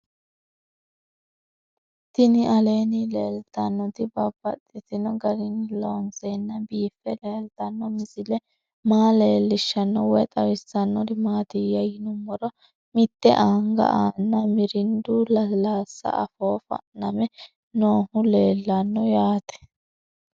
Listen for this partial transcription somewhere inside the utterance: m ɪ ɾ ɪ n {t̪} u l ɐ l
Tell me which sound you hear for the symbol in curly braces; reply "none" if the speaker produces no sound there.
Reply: d̪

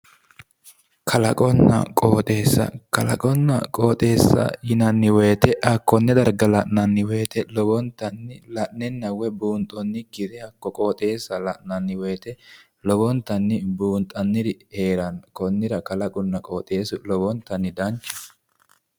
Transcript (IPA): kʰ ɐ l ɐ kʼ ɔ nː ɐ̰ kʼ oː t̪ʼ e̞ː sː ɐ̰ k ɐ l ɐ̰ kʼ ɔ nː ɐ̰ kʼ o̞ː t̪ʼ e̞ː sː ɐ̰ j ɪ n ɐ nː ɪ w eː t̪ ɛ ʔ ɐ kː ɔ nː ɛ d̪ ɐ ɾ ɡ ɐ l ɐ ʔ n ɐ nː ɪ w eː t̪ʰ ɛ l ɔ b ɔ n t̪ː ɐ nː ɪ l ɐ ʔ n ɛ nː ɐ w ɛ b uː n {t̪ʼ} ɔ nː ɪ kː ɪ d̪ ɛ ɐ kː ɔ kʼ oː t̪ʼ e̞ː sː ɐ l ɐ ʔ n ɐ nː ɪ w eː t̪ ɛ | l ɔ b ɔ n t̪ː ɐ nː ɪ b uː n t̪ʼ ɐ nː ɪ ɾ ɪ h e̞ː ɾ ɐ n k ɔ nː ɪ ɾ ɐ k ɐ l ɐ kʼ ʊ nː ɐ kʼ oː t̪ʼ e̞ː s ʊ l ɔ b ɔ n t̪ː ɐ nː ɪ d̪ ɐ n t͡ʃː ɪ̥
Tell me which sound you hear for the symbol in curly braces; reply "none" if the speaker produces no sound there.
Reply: t̪ʼ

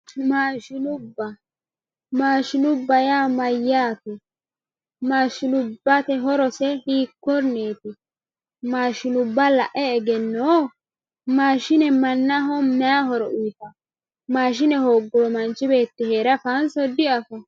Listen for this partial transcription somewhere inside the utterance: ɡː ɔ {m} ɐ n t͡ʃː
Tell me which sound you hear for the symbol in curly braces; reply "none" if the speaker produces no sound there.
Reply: m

